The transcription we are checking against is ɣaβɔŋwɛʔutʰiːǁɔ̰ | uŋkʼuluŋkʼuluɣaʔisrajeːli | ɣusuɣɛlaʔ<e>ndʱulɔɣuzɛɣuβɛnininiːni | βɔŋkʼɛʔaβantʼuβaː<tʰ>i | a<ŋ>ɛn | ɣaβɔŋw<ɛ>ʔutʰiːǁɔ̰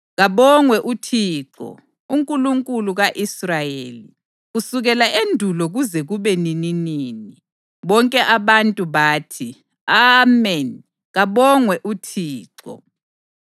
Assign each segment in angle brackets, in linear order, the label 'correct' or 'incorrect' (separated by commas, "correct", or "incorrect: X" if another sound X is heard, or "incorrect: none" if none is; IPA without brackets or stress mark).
correct, correct, incorrect: m, correct